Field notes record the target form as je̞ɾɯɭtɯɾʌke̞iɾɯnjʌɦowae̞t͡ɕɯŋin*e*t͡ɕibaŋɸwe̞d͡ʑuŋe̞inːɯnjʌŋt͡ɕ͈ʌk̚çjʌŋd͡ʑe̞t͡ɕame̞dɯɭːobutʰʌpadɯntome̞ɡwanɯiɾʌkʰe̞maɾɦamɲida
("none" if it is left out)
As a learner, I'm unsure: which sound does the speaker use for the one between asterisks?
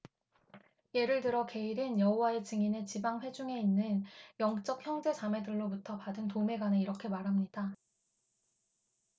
e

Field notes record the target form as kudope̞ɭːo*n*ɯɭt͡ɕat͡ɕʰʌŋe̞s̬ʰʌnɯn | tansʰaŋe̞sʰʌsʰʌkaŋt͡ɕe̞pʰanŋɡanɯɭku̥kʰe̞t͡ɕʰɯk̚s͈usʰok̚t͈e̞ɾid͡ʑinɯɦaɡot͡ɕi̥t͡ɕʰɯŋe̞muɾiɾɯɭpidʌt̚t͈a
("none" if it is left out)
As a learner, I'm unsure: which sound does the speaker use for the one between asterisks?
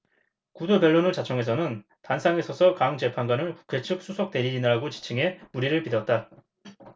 n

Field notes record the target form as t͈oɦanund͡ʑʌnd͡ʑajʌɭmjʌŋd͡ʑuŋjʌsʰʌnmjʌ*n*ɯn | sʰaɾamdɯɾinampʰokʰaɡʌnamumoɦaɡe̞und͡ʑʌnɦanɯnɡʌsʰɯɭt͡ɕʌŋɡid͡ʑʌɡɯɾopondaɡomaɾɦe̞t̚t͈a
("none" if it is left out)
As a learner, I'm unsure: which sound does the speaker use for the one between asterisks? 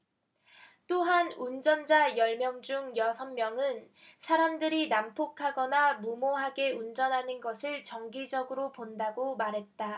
ŋ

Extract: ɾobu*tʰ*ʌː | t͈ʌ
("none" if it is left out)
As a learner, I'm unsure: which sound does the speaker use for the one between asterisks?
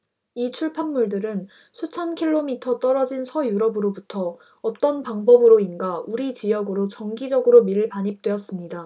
tʰ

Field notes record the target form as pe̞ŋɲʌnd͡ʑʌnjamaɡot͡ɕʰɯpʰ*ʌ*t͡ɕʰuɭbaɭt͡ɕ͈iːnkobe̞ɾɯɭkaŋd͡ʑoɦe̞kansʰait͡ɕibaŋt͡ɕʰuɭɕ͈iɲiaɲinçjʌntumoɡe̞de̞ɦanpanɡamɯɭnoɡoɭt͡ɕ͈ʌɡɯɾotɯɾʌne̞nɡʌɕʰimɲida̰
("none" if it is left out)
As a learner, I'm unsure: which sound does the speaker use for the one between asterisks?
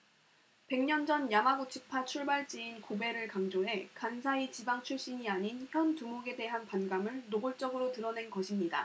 a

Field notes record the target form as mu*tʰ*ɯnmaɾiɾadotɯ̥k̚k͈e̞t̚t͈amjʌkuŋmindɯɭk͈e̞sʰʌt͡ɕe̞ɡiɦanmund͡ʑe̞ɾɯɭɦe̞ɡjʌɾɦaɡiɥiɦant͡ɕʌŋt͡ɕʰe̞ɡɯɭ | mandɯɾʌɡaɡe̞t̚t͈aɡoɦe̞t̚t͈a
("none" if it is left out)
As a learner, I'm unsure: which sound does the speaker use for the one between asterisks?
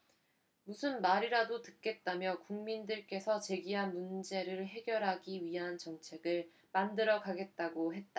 sʰ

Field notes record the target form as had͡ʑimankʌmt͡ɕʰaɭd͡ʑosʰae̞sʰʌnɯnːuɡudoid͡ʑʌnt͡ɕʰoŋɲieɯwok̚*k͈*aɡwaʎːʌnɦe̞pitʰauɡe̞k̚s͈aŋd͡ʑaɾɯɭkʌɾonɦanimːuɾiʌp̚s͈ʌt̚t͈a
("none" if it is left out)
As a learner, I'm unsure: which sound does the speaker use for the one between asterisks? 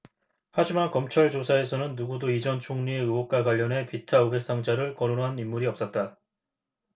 k͈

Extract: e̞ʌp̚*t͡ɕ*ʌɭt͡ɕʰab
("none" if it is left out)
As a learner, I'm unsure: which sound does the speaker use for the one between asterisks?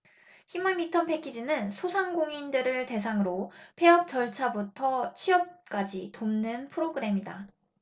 t͡ɕ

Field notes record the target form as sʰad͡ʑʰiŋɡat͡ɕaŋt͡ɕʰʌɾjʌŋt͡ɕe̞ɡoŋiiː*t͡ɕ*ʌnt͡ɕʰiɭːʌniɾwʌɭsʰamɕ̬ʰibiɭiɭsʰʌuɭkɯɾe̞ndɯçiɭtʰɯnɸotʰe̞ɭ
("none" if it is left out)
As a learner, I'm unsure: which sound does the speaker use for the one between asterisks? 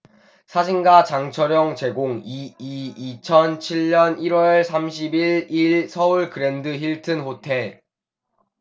t͡ɕʰ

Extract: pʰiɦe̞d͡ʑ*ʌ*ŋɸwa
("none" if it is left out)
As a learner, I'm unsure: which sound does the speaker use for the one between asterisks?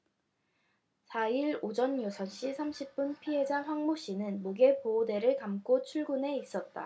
a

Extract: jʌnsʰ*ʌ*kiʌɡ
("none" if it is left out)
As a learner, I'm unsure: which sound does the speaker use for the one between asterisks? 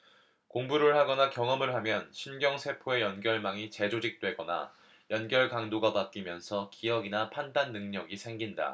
ʌ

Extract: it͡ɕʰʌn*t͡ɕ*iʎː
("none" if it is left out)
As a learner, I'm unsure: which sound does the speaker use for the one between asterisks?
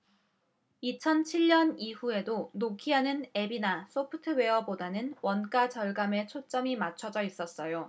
t͡ɕʰ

